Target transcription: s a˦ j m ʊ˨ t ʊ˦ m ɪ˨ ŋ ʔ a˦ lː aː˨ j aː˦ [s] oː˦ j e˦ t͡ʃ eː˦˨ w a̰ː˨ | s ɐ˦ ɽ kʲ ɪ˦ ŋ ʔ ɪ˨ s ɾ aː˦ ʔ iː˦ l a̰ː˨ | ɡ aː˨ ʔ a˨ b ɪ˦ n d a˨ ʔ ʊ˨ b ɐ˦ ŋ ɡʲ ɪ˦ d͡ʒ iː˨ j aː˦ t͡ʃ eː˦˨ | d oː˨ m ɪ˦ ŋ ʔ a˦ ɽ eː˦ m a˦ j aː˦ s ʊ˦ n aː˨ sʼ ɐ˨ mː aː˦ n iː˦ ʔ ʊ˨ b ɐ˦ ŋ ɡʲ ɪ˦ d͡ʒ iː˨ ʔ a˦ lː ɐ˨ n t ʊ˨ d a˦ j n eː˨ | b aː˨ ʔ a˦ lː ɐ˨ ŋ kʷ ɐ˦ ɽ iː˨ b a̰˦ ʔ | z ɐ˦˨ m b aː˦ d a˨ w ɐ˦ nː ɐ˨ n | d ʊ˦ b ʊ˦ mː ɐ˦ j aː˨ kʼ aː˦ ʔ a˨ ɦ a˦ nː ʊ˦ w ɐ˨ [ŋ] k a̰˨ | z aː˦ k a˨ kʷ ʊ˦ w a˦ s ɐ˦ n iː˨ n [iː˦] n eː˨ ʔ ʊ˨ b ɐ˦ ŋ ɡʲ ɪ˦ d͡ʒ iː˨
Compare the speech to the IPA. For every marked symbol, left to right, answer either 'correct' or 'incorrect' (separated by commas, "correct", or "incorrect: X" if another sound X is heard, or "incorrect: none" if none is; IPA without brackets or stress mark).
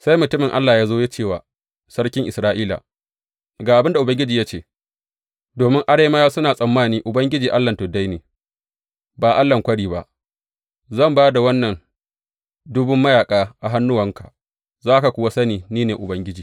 incorrect: z, correct, correct